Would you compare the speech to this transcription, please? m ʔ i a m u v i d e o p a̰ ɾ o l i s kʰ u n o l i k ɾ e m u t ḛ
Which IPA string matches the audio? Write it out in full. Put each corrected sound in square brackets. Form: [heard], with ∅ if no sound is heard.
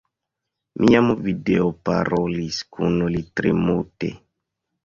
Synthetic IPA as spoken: m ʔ i a m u v i d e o p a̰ ɾ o l i s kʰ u n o l i [t] ɾ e m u t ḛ